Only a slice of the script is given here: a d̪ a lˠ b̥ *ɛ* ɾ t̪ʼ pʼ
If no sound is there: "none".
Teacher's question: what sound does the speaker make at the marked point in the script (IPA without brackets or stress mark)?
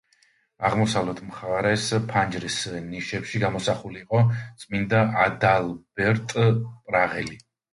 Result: ɛ